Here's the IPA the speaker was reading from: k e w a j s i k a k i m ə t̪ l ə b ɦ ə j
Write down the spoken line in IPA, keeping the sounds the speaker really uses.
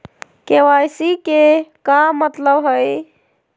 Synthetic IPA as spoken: k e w a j s i k e k a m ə t̪ l ə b ɦ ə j